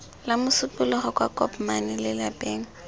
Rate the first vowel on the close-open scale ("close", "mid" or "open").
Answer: open